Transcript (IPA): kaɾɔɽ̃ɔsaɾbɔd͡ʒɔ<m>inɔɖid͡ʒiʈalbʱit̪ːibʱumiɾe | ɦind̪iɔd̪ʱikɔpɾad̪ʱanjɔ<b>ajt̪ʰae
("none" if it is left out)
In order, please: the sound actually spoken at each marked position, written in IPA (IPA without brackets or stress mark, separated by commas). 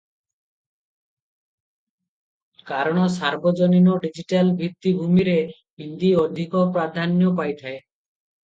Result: n, p